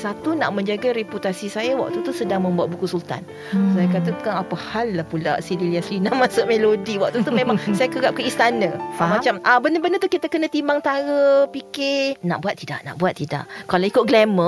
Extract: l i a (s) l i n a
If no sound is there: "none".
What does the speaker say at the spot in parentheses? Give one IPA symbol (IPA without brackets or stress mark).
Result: s